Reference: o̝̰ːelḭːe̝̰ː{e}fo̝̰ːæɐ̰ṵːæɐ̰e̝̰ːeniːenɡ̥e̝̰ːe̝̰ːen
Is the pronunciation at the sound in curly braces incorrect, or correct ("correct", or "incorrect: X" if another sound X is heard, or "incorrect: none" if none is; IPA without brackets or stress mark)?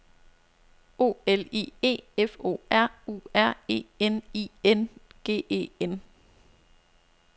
correct